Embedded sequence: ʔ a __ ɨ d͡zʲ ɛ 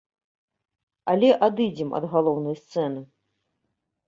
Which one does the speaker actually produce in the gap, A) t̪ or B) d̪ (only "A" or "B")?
B